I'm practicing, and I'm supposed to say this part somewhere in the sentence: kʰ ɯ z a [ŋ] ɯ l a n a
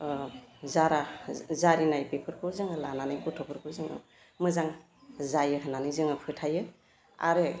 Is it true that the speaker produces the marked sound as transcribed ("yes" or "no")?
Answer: yes